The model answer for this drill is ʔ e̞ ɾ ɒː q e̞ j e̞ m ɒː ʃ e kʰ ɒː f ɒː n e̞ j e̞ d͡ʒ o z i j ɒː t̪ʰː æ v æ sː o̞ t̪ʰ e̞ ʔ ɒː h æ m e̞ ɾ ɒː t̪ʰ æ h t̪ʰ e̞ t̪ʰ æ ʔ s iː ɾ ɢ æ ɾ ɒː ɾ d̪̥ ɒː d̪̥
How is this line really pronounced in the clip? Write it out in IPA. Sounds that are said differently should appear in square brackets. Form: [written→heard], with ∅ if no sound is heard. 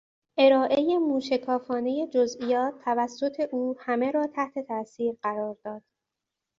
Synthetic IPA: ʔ e̞ ɾ ɒː [q→ʔ] e̞ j e̞ m [ɒː→uː] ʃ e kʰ ɒː f ɒː n e̞ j e̞ d͡ʒ o z i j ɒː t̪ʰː æ v æ sː o̞ t̪ʰ e̞ ʔ [ɒː→uː] h æ m e̞ ɾ ɒː t̪ʰ æ h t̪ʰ e̞ t̪ʰ æ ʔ s iː ɾ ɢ æ ɾ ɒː ɾ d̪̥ ɒː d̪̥

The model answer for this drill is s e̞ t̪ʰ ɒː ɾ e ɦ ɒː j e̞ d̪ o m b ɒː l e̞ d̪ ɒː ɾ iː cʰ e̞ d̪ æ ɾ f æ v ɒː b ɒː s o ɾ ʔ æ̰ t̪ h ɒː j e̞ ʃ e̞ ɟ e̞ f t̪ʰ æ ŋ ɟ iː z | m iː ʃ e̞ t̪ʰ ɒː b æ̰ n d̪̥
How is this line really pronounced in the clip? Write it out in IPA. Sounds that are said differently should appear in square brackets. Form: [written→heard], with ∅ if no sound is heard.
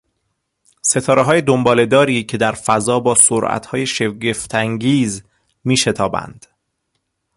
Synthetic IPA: s e̞ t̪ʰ ɒː ɾ e ɦ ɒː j e̞ d̪ o m b ɒː l e̞ d̪ ɒː ɾ iː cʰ e̞ d̪ æ ɾ f æ [v→z] ɒː b ɒː s o ɾ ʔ æ̰ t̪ h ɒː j e̞ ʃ e̞ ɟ e̞ f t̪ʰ æ ŋ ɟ iː z | m iː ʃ e̞ t̪ʰ ɒː b æ̰ n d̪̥

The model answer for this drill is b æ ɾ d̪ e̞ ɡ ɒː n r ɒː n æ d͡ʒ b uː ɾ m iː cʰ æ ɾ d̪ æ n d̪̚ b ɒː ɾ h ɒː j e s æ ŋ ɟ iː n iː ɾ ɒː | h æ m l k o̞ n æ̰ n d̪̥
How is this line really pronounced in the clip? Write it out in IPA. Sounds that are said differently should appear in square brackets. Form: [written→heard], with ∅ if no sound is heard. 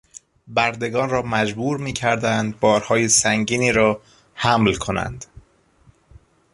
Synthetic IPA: b æ ɾ d̪ e̞ ɡ ɒː n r ɒː [n→m] æ d͡ʒ b uː ɾ m iː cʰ æ ɾ d̪ æ n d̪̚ b ɒː ɾ h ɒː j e s æ ŋ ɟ iː n iː ɾ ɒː | h æ m l [k→kʰ] o̞ n æ̰ n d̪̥

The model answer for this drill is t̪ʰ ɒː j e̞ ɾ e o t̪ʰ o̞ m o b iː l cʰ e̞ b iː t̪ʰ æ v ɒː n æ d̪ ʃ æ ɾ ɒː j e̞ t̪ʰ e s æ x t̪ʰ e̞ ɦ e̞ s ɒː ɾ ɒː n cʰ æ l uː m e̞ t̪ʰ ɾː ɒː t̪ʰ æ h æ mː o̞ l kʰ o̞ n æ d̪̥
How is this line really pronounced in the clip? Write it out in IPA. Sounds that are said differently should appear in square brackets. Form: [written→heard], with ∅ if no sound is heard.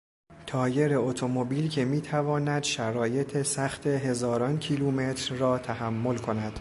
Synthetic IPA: t̪ʰ ɒː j e̞ ɾ e o t̪ʰ o̞ m o b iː l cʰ e̞ [b→m] iː t̪ʰ æ v ɒː n æ d̪ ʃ æ ɾ ɒː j e̞ t̪ʰ e s æ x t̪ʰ e̞ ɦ e̞ [s→z] ɒː ɾ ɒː n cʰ [æ→i] l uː m e̞ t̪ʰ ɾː ɒː t̪ʰ æ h æ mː o̞ l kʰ o̞ n æ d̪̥

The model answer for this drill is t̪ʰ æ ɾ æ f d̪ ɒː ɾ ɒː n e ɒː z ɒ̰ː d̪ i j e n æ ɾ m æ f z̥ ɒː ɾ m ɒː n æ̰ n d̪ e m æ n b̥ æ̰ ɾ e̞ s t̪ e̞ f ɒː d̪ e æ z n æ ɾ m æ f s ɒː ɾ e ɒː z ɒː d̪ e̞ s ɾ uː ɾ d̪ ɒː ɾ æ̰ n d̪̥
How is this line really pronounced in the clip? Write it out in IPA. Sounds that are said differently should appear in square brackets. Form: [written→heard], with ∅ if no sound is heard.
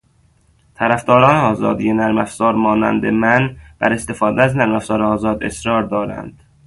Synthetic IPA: t̪ʰ æ ɾ æ f d̪ ɒː ɾ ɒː n e ɒː z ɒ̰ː d̪ i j e n æ ɾ m æ f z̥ ɒː ɾ m ɒː n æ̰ n d̪ e m æ n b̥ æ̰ ɾ e̞ s t̪ e̞ f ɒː d̪ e æ z n æ ɾ m æ f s ɒː ɾ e ɒː z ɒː d̪ e̞ s ɾ [uː→ɒː] ɾ d̪ ɒː ɾ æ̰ n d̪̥

